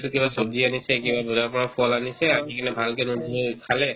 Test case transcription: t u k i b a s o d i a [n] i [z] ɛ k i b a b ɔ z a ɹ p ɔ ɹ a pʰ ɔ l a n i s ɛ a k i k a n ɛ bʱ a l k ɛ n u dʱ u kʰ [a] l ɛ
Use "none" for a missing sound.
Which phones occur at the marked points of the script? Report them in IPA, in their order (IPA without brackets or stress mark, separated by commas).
n, s, a